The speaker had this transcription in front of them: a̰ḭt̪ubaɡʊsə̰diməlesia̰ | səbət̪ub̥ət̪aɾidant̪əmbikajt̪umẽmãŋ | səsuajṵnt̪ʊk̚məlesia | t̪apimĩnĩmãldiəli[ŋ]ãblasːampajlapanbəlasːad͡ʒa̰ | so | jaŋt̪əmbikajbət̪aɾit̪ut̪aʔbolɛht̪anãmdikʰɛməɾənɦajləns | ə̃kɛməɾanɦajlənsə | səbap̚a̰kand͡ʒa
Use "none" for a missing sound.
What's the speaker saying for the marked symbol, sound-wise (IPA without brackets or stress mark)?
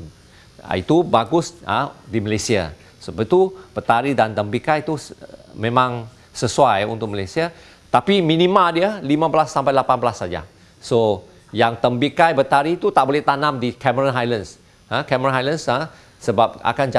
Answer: m